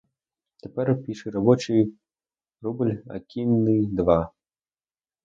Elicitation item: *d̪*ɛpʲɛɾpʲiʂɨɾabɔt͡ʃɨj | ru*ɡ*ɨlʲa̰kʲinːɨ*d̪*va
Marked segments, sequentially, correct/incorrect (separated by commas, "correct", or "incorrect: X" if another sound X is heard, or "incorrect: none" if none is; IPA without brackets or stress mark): incorrect: t̪, incorrect: b, correct